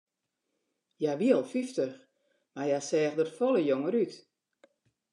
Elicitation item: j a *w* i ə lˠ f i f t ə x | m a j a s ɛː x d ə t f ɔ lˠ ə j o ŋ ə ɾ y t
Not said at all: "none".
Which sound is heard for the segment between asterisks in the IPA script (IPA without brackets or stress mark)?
ʋ